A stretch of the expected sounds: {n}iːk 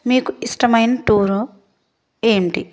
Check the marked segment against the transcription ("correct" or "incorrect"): incorrect